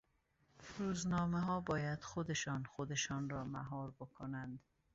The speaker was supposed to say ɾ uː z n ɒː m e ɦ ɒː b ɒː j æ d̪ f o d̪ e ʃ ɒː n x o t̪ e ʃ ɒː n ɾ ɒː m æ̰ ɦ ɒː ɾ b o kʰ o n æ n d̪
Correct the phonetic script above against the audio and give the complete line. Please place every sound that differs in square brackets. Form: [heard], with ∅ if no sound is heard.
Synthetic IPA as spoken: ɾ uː z n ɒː m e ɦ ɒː b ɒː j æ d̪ [x] o d̪ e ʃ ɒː n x o [d̪] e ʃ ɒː n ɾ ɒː m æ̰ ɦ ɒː ɾ b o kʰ o n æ n d̪